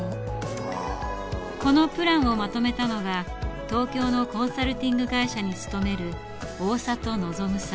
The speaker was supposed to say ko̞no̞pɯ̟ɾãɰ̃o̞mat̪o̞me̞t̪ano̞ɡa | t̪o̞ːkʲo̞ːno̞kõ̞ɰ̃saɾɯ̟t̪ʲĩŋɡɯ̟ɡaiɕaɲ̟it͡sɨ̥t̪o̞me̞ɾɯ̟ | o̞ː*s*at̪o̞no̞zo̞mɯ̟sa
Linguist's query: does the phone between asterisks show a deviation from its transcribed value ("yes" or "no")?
no